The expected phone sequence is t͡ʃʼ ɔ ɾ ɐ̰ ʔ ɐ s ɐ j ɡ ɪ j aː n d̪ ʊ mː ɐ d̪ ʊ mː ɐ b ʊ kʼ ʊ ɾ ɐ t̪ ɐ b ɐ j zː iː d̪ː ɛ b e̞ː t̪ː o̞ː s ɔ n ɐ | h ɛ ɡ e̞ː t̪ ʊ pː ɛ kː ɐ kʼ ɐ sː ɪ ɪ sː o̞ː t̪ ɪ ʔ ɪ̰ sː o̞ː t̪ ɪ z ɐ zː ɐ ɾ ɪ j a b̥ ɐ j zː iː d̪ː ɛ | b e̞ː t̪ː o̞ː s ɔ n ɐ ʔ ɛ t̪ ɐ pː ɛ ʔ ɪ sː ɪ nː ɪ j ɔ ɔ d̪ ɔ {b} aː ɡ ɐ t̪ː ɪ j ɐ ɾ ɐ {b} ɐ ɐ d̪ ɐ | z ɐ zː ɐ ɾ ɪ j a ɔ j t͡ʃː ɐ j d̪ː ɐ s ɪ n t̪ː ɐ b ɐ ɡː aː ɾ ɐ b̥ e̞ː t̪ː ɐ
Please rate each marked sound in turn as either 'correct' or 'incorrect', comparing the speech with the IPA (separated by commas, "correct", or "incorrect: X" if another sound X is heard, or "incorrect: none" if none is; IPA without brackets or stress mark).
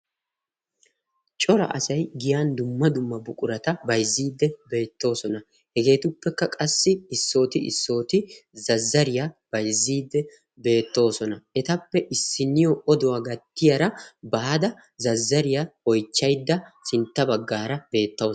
incorrect: w, correct